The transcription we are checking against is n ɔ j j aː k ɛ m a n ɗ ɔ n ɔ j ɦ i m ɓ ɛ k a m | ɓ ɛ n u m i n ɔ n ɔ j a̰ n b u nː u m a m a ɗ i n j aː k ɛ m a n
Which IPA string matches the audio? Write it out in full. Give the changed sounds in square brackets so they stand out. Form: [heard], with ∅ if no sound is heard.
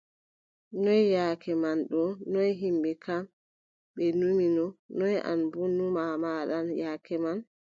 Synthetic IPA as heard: n ɔ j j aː k ɛ m a n ɗ ɔ n ɔ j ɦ i m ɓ ɛ k a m | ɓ ɛ n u m i n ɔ n ɔ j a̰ n b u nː u m a m a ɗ [a] n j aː k ɛ m a n